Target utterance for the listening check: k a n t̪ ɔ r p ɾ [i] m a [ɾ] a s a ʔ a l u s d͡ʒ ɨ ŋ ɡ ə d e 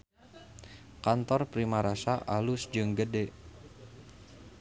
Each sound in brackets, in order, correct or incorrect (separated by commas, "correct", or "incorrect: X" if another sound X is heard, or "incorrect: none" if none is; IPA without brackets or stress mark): correct, correct